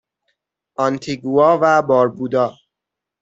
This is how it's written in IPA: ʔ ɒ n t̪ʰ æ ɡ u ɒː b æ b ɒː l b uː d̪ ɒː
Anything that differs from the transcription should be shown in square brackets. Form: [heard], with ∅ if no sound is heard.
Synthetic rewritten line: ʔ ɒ n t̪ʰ [i] ɡ u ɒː [v] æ b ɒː [ɾ] b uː d̪ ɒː

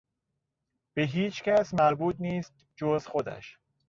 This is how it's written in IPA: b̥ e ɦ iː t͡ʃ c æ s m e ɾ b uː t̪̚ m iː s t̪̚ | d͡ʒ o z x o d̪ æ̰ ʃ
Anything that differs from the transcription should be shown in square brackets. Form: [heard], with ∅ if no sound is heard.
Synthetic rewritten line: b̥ e ɦ iː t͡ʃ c æ s m [æ] ɾ b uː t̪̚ [n] iː s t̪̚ | d͡ʒ o z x o d̪ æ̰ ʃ

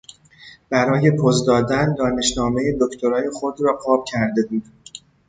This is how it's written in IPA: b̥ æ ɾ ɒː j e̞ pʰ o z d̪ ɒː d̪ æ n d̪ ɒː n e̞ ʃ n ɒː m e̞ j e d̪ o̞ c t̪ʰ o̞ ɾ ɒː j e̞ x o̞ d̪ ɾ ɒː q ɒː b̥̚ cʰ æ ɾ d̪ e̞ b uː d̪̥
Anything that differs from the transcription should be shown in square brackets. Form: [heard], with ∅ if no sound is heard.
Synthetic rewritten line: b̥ æ ɾ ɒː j e̞ pʰ o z d̪ ɒː d̪ æ n d̪ ɒː n e̞ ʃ n ɒː m e̞ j e d̪ o̞ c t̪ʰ o̞ ɾ ɒː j e̞ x o̞ d̪ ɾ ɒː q ɒː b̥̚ cʰ æ ɾ d̪ e̞ b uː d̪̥

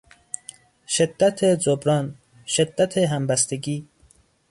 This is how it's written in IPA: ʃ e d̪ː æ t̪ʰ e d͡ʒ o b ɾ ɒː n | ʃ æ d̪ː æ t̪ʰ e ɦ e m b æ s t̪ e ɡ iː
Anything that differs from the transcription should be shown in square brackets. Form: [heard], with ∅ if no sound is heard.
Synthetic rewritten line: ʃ e d̪ː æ t̪ʰ e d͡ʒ o b ɾ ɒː n | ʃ [e] d̪ː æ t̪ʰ e ɦ [æ] m b æ s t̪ e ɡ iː

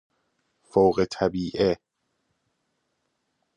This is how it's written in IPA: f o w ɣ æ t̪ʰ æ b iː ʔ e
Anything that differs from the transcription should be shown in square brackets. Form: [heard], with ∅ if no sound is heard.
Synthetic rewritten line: f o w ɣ [e] t̪ʰ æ b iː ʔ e

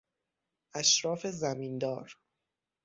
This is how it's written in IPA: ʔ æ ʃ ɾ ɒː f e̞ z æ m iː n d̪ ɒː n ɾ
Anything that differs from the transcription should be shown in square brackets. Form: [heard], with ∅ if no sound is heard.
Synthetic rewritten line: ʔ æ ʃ ɾ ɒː f e̞ z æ m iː n d̪ ɒː [∅] ɾ

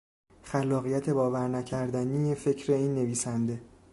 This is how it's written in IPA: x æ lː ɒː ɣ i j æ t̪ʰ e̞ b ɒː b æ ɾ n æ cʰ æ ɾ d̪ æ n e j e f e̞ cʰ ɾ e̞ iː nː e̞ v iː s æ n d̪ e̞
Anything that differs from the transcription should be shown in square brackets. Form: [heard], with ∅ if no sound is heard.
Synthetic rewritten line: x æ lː ɒː ɣ i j æ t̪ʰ e̞ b ɒː [v] æ ɾ n æ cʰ æ ɾ d̪ æ n [i] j e f e̞ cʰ ɾ e̞ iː nː e̞ v iː s æ n d̪ e̞

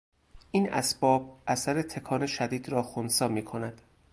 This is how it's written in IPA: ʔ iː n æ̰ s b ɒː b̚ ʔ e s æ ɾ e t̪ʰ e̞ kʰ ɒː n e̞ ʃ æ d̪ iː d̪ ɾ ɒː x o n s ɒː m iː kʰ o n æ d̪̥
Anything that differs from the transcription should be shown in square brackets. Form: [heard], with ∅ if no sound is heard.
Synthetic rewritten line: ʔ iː n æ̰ s b ɒː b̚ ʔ [æ] s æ ɾ e t̪ʰ e̞ kʰ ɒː n e̞ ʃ æ d̪ iː d̪ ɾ ɒː x o n s ɒː m iː kʰ o n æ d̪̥

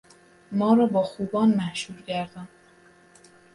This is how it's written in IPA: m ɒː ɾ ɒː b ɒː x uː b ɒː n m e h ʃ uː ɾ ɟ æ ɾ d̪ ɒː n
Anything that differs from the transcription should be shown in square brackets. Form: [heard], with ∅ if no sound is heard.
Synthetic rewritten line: m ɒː ɾ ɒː b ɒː x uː b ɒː n m [æ] h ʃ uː ɾ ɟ æ ɾ d̪ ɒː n

